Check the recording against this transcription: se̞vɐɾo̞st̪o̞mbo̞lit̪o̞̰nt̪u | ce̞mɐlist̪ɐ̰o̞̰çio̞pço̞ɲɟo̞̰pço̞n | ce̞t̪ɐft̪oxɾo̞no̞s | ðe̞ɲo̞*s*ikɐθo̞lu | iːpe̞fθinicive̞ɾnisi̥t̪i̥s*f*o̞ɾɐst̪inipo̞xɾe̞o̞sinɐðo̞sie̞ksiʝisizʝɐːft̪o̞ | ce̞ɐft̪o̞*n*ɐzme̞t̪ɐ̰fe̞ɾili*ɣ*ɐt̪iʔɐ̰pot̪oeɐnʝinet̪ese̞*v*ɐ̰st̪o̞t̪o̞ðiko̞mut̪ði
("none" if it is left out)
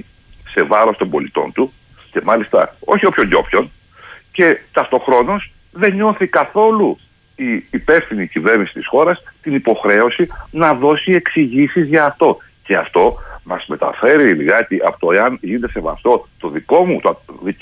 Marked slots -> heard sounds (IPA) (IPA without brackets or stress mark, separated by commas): θ, x, m, ɣ, v